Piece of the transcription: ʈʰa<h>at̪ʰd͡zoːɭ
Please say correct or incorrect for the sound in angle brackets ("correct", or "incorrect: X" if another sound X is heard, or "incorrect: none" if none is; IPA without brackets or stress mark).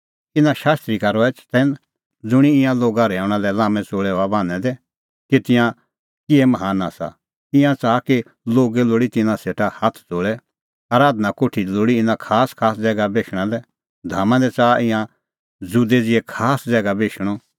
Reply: correct